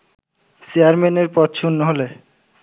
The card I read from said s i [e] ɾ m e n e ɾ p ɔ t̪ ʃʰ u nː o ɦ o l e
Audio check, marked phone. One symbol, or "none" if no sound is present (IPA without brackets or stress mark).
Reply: a